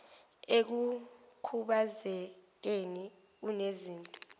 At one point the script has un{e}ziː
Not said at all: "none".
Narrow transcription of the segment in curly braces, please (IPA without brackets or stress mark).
e